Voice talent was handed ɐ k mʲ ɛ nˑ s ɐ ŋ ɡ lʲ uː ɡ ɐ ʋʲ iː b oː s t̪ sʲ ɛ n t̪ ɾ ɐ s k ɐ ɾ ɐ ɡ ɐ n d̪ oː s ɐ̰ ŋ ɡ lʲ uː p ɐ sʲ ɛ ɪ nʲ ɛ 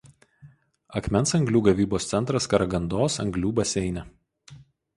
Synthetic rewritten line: ɐ k mʲ ɛ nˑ s ɐ ŋ ɡ lʲ uː ɡ ɐ ʋʲ iː b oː s t̪ sʲ ɛ n t̪ ɾ ɐ s k ɐ ɾ ɐ ɡ ɐ n d̪ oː s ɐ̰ ŋ ɡ lʲ uː b ɐ sʲ ɛ ɪ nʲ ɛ